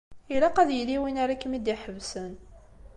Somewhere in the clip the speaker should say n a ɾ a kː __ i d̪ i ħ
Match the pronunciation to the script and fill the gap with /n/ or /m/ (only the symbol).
m